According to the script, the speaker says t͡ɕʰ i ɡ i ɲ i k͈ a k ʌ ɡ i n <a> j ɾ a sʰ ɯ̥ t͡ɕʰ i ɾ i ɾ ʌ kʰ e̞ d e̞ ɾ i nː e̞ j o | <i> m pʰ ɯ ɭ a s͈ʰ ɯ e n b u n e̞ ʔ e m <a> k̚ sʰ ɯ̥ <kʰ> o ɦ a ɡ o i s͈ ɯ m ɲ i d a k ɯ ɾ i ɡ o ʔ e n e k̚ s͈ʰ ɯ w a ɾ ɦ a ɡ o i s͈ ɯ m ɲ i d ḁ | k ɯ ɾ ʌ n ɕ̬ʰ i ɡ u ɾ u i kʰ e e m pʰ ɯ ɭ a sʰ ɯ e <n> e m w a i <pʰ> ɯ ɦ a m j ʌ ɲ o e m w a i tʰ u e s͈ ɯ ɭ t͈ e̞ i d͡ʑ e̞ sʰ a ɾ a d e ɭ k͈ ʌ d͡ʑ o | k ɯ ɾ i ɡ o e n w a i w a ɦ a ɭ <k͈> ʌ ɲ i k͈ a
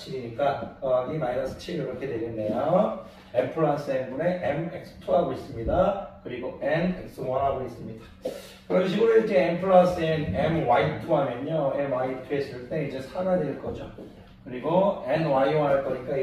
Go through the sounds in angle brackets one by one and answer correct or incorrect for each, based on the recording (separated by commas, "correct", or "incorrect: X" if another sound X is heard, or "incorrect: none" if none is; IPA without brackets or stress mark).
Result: correct, incorrect: e, incorrect: e, incorrect: tʰ, correct, incorrect: tʰ, correct